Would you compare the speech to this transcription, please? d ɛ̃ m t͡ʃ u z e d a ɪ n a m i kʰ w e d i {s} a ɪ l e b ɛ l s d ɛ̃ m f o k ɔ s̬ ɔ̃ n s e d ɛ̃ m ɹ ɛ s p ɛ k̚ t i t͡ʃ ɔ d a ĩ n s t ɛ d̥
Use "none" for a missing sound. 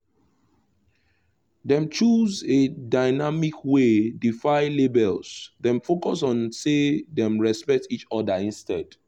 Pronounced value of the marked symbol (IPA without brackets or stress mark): f